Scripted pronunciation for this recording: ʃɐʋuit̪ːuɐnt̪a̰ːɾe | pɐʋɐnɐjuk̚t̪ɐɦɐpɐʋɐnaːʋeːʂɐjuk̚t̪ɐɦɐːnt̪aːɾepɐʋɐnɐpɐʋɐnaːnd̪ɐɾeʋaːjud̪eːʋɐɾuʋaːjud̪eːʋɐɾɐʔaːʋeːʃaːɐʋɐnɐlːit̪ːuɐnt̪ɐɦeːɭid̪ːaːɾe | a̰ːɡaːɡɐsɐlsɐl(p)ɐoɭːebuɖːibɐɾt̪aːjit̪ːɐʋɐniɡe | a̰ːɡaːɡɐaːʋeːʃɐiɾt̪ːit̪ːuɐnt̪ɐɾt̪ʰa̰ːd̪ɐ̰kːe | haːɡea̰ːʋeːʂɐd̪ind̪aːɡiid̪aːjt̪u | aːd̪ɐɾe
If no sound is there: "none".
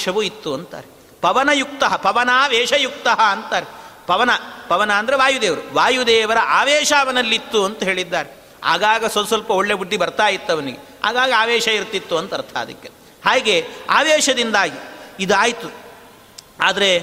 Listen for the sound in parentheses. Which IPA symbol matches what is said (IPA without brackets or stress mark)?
p